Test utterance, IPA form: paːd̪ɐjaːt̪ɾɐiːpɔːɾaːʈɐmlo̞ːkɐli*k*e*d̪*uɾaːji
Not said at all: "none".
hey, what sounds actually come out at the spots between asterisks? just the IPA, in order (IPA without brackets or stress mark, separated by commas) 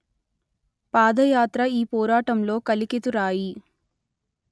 k, t̪